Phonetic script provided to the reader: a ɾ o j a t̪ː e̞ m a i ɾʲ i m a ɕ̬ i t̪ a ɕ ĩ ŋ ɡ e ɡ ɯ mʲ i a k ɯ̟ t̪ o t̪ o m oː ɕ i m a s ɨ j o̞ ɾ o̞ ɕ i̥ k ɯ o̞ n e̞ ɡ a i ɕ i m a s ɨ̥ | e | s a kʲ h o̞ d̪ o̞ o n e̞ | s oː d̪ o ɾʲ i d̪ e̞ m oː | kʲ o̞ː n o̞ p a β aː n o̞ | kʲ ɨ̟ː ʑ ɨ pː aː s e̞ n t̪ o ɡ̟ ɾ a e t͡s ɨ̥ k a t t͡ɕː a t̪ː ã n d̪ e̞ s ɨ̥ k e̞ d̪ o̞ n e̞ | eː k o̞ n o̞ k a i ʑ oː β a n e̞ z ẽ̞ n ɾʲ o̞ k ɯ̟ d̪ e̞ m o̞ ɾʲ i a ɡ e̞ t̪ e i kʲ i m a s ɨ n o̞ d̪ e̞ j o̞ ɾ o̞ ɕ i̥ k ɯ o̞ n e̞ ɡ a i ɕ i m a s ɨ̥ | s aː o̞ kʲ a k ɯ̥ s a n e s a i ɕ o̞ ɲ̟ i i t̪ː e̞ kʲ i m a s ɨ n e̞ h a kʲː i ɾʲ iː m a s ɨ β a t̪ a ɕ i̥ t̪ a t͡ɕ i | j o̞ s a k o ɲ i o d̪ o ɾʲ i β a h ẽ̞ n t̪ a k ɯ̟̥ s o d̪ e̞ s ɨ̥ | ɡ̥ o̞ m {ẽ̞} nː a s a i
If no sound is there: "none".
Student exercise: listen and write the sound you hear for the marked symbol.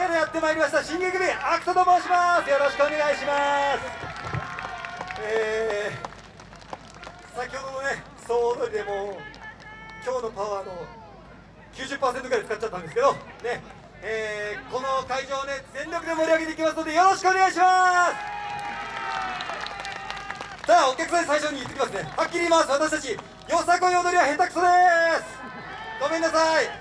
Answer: e̞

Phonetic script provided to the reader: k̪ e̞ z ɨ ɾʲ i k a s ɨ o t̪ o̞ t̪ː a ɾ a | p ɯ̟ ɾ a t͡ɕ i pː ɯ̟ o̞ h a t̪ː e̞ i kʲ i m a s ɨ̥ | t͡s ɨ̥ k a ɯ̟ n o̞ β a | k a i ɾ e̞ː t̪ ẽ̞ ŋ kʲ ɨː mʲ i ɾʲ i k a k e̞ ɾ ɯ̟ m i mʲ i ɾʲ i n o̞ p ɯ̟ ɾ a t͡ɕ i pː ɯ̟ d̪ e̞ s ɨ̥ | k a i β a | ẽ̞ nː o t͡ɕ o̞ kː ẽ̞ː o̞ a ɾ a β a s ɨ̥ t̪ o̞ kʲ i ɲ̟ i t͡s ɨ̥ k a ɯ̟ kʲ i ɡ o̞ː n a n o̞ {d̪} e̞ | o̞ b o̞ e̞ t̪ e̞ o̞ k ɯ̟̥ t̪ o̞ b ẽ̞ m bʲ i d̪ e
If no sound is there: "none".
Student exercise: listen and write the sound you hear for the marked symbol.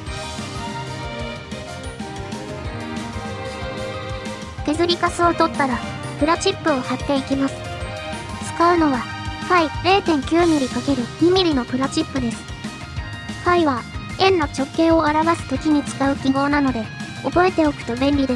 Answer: d̪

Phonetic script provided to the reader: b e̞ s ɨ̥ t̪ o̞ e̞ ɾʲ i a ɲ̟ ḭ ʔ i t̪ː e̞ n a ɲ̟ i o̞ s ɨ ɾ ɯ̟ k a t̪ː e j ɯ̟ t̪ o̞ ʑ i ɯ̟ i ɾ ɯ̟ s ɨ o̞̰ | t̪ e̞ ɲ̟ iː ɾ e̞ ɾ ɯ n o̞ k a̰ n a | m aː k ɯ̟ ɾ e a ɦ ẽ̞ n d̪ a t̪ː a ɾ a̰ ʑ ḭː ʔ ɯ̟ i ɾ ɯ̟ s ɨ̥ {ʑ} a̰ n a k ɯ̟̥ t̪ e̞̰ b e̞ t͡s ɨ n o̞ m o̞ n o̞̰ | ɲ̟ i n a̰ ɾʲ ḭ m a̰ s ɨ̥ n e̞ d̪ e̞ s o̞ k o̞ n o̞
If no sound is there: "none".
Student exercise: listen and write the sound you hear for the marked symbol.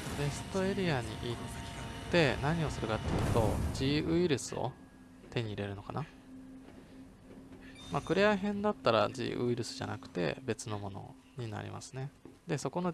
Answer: ʑ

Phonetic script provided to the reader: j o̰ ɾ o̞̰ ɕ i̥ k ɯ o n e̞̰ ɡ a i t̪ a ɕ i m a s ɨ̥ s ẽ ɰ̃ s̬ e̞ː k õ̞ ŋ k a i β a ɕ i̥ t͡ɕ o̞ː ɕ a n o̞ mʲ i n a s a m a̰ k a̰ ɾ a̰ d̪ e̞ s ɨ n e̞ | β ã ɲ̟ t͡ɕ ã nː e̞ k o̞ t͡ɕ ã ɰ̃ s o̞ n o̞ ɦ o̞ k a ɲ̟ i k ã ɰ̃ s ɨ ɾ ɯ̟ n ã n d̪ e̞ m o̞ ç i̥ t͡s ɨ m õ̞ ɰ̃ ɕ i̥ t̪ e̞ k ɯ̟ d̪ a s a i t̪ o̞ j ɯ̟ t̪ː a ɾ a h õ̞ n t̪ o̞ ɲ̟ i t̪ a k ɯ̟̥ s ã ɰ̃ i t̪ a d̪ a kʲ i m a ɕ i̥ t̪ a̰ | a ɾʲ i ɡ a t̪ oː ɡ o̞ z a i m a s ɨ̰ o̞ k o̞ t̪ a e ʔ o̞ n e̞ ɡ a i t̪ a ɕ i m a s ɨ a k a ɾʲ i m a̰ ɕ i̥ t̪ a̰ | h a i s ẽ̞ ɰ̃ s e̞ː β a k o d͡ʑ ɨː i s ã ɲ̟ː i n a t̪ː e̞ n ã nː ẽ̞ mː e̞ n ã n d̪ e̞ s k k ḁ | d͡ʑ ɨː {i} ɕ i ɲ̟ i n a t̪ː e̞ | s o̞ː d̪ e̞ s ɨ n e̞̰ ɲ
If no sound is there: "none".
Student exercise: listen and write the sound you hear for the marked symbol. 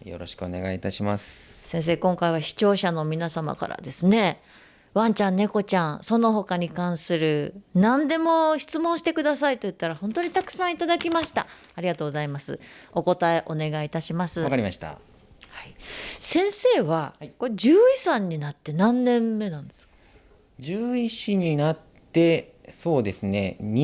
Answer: i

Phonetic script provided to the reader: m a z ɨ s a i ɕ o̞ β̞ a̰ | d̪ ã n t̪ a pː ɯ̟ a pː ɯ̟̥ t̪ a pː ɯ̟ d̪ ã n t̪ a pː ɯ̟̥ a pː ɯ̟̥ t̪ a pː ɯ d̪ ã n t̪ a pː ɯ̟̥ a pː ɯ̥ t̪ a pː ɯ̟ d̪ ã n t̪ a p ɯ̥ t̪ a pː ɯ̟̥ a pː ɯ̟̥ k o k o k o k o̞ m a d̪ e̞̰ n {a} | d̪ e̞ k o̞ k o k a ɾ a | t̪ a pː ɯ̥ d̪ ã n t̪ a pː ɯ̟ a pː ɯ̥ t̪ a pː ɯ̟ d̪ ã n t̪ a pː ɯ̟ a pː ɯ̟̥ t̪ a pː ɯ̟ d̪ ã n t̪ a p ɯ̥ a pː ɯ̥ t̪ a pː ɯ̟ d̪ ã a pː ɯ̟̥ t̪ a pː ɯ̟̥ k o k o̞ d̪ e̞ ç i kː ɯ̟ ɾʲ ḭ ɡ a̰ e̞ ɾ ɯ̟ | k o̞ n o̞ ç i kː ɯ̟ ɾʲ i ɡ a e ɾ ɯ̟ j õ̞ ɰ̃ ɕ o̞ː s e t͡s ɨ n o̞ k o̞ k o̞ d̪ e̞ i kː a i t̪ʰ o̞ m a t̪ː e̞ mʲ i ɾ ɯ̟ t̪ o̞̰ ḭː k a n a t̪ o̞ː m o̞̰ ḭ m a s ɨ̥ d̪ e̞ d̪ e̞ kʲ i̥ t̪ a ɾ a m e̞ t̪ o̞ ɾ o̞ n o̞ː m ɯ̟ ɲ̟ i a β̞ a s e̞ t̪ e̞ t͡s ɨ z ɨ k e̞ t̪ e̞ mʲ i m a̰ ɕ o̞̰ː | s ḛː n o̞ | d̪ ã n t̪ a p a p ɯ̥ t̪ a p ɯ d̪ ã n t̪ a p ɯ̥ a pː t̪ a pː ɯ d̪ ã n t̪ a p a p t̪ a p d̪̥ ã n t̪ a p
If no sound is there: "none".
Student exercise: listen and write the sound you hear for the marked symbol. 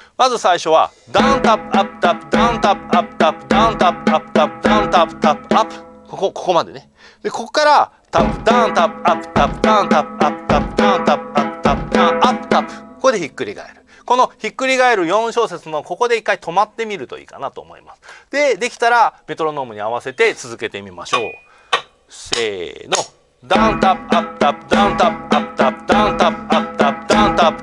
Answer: e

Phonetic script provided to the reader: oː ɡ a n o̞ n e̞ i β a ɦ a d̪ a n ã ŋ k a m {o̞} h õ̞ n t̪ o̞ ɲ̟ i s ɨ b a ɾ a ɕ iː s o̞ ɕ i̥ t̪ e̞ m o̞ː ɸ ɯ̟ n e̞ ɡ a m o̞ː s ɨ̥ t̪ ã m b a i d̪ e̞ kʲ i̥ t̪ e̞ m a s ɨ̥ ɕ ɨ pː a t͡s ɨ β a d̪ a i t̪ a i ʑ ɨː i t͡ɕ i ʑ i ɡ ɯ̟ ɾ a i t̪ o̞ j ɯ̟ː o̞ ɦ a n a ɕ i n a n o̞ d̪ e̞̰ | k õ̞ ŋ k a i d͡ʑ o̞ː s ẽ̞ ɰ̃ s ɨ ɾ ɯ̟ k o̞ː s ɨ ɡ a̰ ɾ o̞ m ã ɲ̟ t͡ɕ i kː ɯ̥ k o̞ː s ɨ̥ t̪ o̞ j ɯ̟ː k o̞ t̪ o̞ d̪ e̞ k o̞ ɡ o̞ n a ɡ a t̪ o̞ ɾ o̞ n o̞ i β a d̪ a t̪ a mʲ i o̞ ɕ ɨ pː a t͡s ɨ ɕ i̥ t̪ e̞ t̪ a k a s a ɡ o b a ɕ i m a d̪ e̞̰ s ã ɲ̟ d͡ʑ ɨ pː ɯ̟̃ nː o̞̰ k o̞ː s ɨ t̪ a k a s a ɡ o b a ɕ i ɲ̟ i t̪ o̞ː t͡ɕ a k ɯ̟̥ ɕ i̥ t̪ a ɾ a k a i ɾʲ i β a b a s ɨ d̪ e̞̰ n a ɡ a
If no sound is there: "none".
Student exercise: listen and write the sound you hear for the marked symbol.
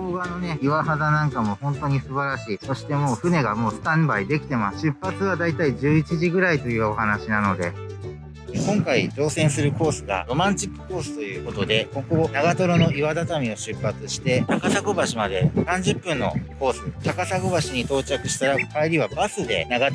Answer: o̞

